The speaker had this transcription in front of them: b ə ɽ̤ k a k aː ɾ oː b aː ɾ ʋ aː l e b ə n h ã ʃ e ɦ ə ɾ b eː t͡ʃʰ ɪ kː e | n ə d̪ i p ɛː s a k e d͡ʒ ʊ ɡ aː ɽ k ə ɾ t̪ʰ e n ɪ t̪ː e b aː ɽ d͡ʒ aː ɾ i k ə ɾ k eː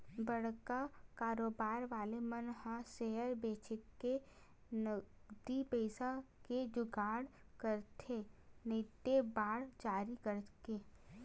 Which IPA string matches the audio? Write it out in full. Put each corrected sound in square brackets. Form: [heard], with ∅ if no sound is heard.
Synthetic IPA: b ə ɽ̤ k a k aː ɾ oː b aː ɾ ʋ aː l e [m] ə n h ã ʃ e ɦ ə ɾ b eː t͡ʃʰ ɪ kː e | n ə d̪ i p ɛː s a k e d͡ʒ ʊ ɡ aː ɽ k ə ɾ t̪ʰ e n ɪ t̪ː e b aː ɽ d͡ʒ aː ɾ i k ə ɾ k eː